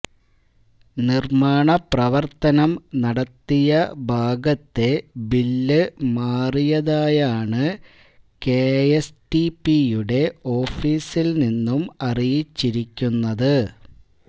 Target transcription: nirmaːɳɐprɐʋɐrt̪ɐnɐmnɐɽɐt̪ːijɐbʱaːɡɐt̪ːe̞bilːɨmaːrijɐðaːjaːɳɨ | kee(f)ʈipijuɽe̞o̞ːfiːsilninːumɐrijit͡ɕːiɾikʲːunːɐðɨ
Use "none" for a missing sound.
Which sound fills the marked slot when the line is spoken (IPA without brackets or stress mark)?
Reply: s